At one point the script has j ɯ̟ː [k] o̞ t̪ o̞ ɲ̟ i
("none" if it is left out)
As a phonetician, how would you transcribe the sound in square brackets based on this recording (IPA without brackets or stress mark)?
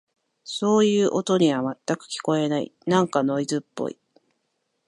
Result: ʔ